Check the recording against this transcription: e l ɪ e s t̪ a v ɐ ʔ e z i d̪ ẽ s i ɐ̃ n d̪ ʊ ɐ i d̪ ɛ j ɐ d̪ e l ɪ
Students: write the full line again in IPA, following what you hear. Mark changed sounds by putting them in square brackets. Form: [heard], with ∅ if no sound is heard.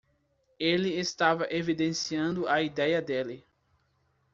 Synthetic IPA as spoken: e l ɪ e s t̪ a v ɐ ʔ e [v] i d̪ ẽ s i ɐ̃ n d̪ ʊ ɐ i d̪ ɛ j ɐ d̪ e l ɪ